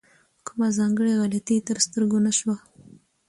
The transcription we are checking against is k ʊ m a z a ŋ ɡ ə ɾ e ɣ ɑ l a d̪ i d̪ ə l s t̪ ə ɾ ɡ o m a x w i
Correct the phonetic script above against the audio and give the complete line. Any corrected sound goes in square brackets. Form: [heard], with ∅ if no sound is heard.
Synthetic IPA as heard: k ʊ m a z [ɑ] ŋ ɡ ə [ɽ] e ɣ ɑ l a [t̪] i [t̪] ə [ɾ] s t̪ ə ɾ ɡ o [n] a [ʃ] w [a]